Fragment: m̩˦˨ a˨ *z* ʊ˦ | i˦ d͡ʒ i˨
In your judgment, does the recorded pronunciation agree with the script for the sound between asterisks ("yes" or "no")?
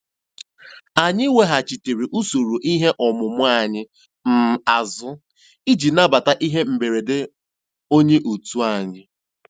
yes